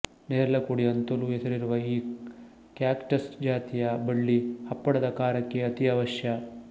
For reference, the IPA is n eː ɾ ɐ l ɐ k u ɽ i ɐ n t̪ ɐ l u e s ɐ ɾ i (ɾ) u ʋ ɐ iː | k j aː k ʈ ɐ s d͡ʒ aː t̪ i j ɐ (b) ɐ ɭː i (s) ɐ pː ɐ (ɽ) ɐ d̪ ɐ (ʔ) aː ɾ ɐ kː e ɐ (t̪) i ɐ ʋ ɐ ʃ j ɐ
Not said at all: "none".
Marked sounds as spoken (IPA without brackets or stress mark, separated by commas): ɾ, b, h, ɽ, k, t̪